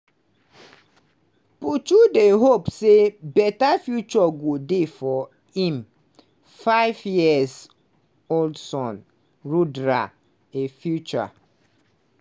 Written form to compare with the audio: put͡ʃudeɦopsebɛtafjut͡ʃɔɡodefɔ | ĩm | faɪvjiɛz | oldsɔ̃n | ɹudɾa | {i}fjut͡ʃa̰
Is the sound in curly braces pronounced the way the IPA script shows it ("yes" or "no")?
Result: no